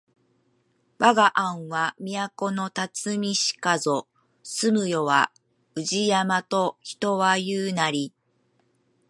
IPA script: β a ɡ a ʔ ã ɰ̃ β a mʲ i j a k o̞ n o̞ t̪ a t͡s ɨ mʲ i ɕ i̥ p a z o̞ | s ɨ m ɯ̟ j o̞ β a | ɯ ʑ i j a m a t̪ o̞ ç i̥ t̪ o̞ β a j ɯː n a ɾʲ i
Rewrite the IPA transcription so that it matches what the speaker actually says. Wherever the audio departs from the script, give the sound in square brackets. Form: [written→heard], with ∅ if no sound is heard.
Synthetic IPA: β a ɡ a ʔ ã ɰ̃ β a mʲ i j a k o̞ n o̞ t̪ a t͡s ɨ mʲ i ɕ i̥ [p→k] a z o̞ | s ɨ m ɯ̟ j o̞ β a | ɯ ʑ i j a m a t̪ o̞ ç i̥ t̪ o̞ β a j ɯː n a ɾʲ i